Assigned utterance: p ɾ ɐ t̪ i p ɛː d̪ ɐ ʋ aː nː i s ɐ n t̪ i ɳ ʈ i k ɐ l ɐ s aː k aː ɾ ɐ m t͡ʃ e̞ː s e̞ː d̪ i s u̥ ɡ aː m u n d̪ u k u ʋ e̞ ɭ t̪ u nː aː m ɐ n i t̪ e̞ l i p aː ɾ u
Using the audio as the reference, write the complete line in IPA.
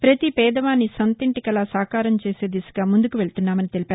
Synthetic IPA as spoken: p ɾ ɐ t̪ i p ɛː d̪ ɐ ʋ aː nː i s ɐ n t̪ i ɳ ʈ i k ɐ l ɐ s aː k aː ɾ ɐ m t͡ʃ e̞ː s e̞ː d̪ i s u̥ ɡ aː m u n d̪ u k u ʋ e̞ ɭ t̪ u nː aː m ɐ n i t̪ e̞ l i p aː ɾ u